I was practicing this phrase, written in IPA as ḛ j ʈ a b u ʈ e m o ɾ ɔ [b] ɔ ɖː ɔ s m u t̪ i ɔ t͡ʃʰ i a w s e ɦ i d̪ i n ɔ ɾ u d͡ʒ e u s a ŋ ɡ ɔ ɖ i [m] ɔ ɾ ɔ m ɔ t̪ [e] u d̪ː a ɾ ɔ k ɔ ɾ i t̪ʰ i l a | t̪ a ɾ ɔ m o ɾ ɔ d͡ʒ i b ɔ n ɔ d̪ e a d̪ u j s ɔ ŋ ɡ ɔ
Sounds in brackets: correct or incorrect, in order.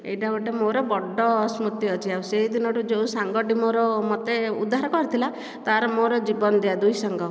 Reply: correct, correct, correct

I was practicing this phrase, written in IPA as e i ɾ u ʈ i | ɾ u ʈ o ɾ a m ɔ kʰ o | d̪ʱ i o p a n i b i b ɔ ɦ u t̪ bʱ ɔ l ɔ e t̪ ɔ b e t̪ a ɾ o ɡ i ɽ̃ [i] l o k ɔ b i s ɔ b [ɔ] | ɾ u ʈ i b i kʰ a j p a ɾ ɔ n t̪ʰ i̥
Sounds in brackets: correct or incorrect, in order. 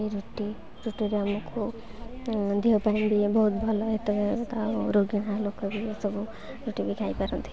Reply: incorrect: a, incorrect: u

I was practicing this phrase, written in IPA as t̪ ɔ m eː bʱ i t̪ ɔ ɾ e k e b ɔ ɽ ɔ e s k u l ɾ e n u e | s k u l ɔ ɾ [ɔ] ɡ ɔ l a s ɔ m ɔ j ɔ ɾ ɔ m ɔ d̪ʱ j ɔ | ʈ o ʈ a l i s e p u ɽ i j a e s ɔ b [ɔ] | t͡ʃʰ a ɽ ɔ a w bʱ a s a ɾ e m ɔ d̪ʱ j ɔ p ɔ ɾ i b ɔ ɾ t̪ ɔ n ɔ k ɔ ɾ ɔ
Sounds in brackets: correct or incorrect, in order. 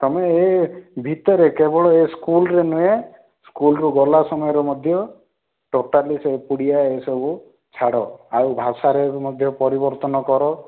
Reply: incorrect: u, incorrect: u

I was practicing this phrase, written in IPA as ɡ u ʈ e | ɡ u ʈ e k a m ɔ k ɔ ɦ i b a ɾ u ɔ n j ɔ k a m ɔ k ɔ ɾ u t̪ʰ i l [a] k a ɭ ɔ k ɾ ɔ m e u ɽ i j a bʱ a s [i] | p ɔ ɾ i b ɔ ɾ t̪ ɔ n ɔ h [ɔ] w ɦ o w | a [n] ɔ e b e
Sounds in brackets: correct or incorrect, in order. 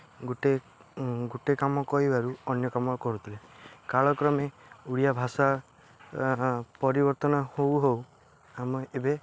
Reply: incorrect: e, incorrect: a, incorrect: o, incorrect: m

